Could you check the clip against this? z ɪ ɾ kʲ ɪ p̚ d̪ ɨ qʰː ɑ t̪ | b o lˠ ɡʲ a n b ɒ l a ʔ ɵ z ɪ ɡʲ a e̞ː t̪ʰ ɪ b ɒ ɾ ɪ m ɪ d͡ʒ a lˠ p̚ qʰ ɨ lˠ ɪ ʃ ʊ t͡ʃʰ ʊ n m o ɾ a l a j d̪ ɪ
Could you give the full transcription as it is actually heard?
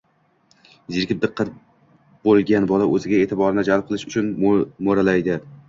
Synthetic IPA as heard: z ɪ ɾ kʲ ɪ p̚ d̪ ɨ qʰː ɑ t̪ | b o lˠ ɡʲ a n b ɒ l a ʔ ɵ z ɪ ɡʲ a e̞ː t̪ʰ ɪ b ɒ ɾ ɪ n ɪ d͡ʒ a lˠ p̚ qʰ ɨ lˠ ɪ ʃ ʊ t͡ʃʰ ʊ n m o ɾ a l a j d̪ ɪ